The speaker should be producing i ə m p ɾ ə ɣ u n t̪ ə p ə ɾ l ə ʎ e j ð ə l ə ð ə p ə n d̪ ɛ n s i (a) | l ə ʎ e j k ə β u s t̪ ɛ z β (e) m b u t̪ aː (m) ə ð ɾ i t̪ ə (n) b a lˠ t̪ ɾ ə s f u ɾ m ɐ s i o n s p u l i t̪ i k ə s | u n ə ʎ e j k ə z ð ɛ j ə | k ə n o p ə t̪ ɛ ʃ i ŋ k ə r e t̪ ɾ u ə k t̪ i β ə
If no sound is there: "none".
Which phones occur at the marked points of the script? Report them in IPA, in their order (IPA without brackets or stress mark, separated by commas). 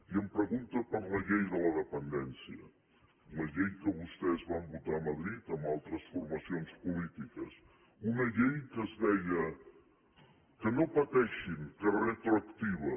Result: ə, a, m, m